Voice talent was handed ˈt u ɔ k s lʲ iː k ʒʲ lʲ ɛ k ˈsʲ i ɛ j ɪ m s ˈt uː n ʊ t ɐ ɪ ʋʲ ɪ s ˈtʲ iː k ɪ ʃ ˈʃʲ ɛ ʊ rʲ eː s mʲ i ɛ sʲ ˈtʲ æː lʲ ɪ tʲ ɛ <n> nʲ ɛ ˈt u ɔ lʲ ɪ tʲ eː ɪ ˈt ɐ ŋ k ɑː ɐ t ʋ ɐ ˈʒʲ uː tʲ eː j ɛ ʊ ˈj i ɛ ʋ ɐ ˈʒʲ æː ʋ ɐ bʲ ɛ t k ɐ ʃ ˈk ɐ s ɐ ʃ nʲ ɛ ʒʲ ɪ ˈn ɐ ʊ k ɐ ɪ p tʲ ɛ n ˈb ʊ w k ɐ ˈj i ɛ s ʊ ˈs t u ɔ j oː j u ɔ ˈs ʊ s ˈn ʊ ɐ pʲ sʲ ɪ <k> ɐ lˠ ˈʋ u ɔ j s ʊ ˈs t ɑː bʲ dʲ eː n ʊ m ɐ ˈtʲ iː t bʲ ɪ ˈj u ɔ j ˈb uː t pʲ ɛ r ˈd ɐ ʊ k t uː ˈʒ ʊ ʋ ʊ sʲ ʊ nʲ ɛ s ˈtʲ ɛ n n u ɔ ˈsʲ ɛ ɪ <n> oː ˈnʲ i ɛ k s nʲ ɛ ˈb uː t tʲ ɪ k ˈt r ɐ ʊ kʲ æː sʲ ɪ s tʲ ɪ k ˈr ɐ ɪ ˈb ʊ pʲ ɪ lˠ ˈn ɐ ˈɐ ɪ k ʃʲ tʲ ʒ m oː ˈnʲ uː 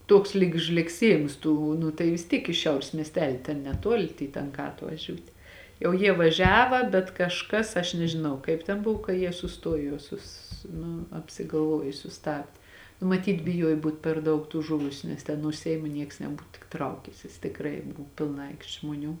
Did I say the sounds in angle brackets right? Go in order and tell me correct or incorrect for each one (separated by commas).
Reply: correct, incorrect, incorrect